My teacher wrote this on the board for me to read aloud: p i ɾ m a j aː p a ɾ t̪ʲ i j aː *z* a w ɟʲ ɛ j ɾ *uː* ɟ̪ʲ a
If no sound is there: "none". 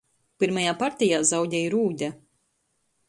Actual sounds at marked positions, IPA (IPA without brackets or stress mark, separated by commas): z, uː